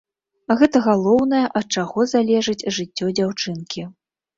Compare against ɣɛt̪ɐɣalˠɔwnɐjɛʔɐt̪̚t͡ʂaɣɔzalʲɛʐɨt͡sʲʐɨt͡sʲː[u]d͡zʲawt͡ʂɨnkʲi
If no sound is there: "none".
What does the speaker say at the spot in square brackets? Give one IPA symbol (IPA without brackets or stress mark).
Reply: ɔ